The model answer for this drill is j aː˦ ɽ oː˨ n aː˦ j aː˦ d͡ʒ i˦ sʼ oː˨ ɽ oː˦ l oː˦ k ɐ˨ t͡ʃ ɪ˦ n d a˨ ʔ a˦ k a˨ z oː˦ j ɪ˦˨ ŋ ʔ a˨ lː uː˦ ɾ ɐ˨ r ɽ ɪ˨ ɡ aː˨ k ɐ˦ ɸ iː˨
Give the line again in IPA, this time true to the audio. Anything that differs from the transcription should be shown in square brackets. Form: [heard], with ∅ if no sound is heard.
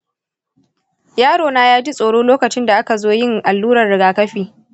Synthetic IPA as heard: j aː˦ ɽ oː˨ n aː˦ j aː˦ d͡ʒ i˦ sʼ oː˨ ɽ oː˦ l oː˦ k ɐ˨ t͡ʃ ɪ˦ n d a˨ ʔ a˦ k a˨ z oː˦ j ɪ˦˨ ŋ ʔ a˨ lː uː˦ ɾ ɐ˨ r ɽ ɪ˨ ɡ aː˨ k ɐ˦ ɸ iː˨